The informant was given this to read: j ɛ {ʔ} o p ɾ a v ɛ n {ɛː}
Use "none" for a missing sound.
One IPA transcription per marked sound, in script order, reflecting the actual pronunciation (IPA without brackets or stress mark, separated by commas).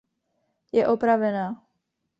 ʔ, aː